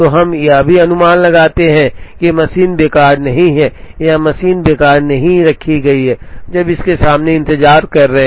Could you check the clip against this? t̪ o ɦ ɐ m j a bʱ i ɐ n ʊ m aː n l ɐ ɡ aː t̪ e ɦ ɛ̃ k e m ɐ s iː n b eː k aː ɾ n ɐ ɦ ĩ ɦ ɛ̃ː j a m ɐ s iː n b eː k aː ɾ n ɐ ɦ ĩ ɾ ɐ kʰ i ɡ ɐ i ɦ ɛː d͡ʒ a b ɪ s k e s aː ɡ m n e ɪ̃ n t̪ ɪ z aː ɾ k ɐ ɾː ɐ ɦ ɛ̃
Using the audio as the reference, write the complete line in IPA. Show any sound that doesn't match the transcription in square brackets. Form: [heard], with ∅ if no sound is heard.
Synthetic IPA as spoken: t̪ o ɦ ɐ m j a bʱ i ɐ n ʊ m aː n l ɐ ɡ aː t̪ e ɦ ɛ̃ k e m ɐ s iː n b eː k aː ɾ n ɐ ɦ ĩ ɦ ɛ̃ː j a m ɐ s iː n b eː k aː ɾ n ɐ ɦ ĩ ɾ ɐ kʰ i ɡ ɐ i ɦ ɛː d͡ʒ [ɐ] b ɪ s k e s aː [∅] m n e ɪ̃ n t̪ ɪ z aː ɾ k ɐ ɾː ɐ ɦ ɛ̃